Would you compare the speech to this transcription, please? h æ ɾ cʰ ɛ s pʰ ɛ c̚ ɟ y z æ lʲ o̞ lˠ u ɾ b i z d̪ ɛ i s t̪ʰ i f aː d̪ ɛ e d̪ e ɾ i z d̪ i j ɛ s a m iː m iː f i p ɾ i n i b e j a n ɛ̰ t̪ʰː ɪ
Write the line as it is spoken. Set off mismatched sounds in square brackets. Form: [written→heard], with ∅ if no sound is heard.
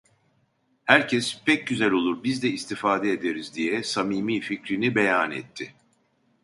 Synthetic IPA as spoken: h æ ɾ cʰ ɛ s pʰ ɛ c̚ ɟ y z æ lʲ o̞ lˠ u ɾ b i z d̪ ɛ i s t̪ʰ i f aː d̪ ɛ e d̪ e ɾ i z d̪ i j ɛ s a m iː m iː f i [p→c] ɾ i n i b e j a n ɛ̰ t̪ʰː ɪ